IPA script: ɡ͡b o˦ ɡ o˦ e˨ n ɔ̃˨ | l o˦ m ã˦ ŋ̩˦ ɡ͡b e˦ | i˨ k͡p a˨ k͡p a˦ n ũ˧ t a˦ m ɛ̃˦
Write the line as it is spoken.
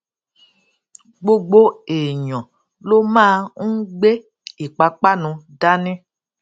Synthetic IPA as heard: ɡ͡b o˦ ɡ͡b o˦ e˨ ɲ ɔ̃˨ | l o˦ m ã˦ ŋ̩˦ ɡ͡b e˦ | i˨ k͡p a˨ k͡p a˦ n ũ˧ d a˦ n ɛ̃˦